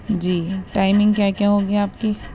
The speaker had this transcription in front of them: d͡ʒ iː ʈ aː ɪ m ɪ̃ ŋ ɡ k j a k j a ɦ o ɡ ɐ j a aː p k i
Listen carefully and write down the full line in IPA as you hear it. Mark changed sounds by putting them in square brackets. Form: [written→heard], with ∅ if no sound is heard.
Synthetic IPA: d͡ʒ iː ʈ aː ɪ m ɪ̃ ŋ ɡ k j a k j a ɦ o ɡ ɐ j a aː p k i